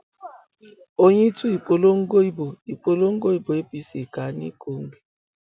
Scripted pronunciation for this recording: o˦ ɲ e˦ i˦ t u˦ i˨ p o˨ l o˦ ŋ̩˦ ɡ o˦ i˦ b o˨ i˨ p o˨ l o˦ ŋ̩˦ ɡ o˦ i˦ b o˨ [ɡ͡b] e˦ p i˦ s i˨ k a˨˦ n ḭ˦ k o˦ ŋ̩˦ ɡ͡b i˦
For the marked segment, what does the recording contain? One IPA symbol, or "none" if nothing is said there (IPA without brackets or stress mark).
none